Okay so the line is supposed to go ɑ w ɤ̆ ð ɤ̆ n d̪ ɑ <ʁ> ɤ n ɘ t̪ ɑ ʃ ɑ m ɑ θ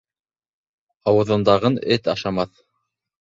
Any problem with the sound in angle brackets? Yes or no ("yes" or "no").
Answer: no